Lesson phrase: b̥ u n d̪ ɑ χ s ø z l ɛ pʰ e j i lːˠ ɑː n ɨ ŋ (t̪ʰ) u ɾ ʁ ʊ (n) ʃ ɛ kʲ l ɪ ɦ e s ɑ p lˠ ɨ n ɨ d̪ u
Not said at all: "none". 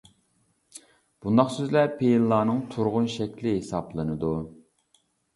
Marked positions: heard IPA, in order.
t̪ʰ, n

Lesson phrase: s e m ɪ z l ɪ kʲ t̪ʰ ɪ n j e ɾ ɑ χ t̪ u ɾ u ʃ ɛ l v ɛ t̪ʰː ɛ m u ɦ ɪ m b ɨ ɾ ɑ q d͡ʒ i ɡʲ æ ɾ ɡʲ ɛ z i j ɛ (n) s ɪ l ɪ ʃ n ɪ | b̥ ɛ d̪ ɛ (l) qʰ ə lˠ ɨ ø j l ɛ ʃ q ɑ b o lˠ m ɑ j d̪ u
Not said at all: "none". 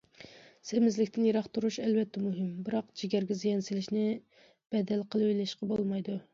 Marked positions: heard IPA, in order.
n, l

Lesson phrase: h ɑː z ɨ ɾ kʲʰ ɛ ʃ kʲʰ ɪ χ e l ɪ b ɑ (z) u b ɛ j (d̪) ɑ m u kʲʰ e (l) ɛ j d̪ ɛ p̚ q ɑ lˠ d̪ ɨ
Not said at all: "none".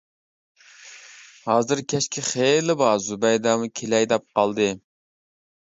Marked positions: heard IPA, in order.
z, d̪, l

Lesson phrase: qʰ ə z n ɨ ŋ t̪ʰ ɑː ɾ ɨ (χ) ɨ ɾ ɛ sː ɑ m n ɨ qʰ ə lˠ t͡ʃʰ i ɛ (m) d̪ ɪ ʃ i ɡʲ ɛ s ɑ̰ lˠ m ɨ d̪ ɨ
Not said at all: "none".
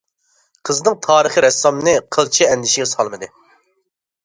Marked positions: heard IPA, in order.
χ, n

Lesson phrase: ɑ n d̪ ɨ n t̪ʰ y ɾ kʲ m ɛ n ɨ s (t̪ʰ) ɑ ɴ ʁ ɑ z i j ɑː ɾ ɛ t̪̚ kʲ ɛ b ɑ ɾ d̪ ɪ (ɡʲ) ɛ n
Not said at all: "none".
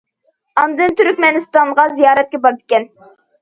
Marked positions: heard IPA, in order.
t̪, kʲ

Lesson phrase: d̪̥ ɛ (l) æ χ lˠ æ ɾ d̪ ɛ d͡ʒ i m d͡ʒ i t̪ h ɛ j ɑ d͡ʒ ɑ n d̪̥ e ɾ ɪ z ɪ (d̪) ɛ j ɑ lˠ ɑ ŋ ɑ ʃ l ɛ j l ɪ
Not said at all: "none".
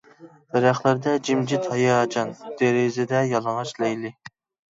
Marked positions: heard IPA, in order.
ɾ, d̪

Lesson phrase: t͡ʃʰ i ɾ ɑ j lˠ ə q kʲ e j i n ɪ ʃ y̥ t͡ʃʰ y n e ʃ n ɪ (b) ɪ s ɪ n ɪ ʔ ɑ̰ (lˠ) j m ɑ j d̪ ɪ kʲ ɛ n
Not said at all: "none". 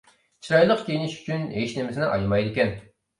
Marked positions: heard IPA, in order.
m, none

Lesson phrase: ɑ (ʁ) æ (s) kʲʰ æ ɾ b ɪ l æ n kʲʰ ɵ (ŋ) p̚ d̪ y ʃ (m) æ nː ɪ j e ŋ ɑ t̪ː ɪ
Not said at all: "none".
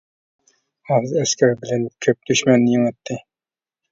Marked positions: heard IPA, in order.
z, s, none, m

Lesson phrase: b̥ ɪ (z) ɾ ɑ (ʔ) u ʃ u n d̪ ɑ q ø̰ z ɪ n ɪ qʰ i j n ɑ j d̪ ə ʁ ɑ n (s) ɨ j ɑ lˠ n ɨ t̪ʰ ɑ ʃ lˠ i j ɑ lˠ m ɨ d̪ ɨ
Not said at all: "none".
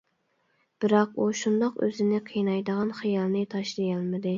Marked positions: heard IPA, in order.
none, q, χ

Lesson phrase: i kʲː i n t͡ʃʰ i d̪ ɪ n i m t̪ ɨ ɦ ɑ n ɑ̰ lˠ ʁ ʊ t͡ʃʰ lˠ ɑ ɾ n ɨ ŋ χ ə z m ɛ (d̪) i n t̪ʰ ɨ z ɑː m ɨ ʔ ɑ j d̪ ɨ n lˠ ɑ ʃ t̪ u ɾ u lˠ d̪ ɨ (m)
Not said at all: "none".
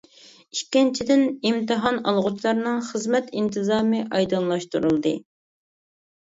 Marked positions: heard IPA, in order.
t̪, none

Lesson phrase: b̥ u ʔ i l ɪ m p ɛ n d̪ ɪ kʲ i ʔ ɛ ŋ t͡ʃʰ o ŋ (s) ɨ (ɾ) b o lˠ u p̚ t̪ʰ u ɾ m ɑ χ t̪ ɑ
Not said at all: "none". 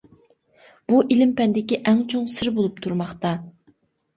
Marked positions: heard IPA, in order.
s, ɾ

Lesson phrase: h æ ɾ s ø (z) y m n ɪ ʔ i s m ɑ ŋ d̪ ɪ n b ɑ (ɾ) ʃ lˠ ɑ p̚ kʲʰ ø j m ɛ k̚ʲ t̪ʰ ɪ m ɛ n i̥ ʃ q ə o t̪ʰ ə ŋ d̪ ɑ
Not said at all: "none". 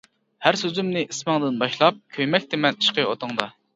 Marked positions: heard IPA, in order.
z, none

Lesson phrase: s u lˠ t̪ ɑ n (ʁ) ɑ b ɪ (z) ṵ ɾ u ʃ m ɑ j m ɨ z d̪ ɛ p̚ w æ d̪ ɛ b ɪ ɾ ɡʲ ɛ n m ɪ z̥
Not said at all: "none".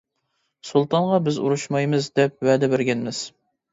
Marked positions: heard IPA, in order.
ʁ, z

